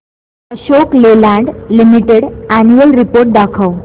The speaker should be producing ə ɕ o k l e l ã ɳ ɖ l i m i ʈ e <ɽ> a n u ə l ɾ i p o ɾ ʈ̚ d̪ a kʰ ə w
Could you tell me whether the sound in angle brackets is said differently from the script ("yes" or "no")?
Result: no